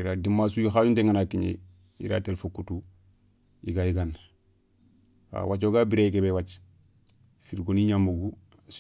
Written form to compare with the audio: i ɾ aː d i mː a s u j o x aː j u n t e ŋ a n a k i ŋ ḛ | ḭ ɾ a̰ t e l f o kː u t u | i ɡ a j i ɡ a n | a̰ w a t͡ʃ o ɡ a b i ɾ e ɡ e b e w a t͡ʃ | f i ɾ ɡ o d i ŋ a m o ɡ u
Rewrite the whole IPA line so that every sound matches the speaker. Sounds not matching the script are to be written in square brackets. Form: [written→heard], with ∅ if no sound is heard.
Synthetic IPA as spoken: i ɾ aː d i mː a s u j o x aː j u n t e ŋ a n a k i [ŋ→ɲ] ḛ | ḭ ɾ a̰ t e l f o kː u t u | i ɡ a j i ɡ a n | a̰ w a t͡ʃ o ɡ a b i ɾ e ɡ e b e w a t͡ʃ | f i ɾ ɡ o [d→n] i [ŋ→ɲ] a m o ɡ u